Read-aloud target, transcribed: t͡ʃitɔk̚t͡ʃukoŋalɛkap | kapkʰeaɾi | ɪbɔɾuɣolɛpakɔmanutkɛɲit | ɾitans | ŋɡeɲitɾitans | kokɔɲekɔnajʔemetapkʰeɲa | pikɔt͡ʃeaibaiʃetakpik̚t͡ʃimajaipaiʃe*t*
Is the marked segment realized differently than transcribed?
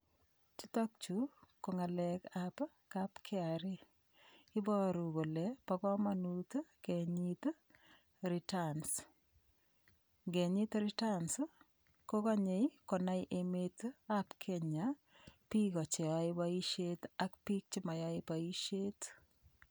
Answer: no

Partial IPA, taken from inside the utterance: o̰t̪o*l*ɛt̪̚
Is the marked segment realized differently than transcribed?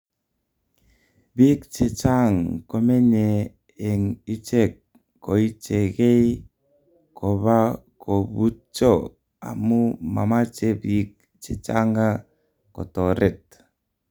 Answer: yes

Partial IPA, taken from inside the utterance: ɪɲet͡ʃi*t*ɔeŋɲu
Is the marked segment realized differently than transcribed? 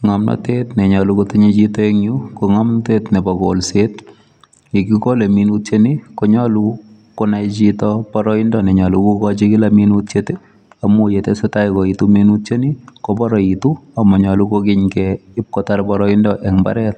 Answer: no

